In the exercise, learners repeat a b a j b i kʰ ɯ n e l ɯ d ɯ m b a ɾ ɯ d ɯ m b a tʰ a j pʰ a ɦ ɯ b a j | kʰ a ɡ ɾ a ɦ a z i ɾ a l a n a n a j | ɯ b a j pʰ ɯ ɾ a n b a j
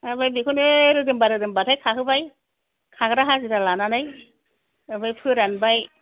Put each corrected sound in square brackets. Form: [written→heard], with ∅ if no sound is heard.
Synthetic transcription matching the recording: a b a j b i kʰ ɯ n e [l→ɾ] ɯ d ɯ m b a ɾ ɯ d ɯ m b a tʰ a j [pʰ→kʰ] a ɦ ɯ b a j | kʰ a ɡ ɾ a ɦ a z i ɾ a l a n a n a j | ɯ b a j pʰ ɯ ɾ a n b a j